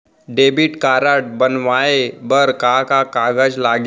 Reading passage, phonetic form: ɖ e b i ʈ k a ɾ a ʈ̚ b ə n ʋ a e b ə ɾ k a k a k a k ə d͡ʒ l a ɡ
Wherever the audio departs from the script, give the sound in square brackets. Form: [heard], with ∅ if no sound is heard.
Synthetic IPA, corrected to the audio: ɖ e b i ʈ k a ɾ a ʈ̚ b ə n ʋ a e b ə ɾ k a k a k a [ɡ] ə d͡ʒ l a ɡ